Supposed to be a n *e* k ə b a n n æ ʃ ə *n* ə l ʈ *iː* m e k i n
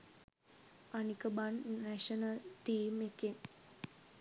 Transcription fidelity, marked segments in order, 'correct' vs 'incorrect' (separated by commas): incorrect, correct, correct